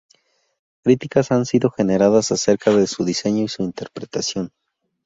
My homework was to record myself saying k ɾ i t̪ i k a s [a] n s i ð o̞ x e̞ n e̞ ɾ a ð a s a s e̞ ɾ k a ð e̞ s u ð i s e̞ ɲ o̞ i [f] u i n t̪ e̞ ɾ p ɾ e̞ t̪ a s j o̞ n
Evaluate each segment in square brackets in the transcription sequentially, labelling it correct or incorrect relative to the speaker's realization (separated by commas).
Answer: correct, incorrect